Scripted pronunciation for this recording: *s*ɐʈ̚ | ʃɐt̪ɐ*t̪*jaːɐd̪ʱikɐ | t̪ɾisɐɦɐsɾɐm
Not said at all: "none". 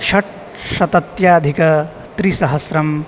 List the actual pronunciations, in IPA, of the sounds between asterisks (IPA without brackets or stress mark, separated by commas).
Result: ʃ, t̪